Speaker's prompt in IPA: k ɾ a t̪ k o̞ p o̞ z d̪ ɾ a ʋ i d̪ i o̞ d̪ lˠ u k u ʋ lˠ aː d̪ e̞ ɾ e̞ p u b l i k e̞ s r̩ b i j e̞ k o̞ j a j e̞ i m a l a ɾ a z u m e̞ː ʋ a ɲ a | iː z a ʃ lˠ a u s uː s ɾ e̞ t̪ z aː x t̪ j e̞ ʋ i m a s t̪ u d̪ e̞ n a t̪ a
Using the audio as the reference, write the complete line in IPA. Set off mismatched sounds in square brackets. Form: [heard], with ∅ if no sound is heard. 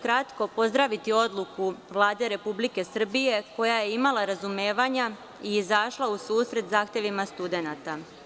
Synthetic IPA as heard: k ɾ a t̪ k o̞ p o̞ z d̪ ɾ a ʋ i [t̪] i o̞ d̪ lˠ u k u ʋ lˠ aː d̪ e̞ ɾ e̞ p u b l i k e̞ s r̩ b i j e̞ k o̞ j a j e̞ i m a l a ɾ a z u m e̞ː ʋ a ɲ a | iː z a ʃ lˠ a u s uː s ɾ e̞ t̪ z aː x t̪ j e̞ ʋ i m a s t̪ u d̪ e̞ n a t̪ a

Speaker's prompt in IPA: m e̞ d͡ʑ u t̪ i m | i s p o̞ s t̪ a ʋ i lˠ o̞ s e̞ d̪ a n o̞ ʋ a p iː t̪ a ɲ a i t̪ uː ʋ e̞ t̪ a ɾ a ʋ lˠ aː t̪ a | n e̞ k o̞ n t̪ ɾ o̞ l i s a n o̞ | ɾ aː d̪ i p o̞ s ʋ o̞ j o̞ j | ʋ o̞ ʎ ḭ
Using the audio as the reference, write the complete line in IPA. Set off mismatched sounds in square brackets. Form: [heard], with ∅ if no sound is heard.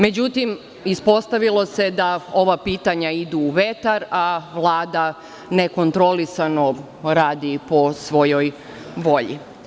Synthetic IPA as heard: m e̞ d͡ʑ u t̪ i m | i s p o̞ s t̪ a ʋ i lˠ o̞ s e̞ d̪ a [∅] o̞ ʋ a p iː t̪ a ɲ a i [d̪] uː ʋ e̞ t̪ a ɾ a ʋ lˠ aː [d̪] a | n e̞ k o̞ n t̪ ɾ o̞ l i s a n o̞ | ɾ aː d̪ i p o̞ s ʋ o̞ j o̞ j | ʋ o̞ ʎ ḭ

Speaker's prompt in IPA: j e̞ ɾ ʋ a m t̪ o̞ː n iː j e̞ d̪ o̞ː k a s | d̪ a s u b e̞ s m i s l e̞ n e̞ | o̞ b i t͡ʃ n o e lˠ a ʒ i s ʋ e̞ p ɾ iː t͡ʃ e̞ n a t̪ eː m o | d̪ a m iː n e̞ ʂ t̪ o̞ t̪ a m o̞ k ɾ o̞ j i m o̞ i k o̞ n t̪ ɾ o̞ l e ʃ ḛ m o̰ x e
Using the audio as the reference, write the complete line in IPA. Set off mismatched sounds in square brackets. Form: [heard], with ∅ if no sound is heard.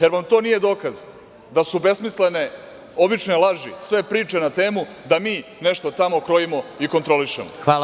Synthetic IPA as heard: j e̞ ɾ ʋ a m t̪ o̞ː n [i] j e̞ d̪ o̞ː k a [z] | d̪ a s u b e̞ s m i s l e̞ n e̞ | o̞ b i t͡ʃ n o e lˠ a ʒ i s ʋ e̞ p ɾ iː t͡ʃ e̞ n a t̪ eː m [u] | d̪ a m iː n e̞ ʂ t̪ o̞ t̪ a m o̞ k ɾ o̞ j i m o̞ i k o̞ n t̪ ɾ o̞ l [i] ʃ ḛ m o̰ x [a]

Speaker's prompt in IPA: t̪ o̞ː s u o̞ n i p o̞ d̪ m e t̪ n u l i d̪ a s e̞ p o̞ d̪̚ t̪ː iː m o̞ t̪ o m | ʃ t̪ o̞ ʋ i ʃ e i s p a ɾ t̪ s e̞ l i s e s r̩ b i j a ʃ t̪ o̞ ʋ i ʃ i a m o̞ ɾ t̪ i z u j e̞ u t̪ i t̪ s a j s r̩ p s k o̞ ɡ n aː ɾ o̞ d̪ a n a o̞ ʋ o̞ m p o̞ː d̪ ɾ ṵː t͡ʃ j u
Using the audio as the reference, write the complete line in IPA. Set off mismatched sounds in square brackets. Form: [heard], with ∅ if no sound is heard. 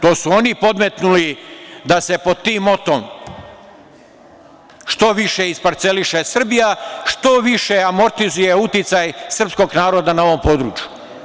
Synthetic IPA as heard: t̪ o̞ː s u o̞ n i p o̞ d̪ m e t̪ n u l i d̪ a s e̞ p o̞ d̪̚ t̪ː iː m o̞ t̪ o m | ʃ t̪ o̞ ʋ i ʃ e i s p a ɾ t̪ s e̞ l i [ʃ] e s r̩ b i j a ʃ t̪ o̞ ʋ i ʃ [e] a m o̞ ɾ t̪ i z u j e̞ u t̪ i t̪ s a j s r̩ p s k o̞ ɡ n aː ɾ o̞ d̪ a n a o̞ ʋ o̞ m p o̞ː d̪ ɾ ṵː t͡ʃ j u

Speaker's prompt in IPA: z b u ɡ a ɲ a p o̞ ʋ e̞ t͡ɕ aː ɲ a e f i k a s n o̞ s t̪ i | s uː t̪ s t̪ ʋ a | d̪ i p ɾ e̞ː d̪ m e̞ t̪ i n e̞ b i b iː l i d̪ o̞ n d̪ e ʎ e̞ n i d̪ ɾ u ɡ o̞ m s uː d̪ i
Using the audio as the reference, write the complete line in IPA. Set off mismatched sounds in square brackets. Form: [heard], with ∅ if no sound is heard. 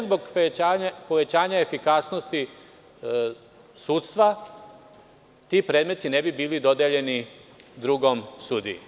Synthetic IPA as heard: z b [o] ɡ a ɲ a p o̞ ʋ e̞ t͡ɕ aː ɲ a e f i k a s n o̞ s t̪ i | s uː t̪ s t̪ ʋ a | [t̪] i p ɾ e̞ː d̪ m e̞ t̪ i n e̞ b i b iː l i d̪ o̞ [∅] d̪ e ʎ e̞ n i d̪ ɾ u ɡ o̞ m s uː d̪ i

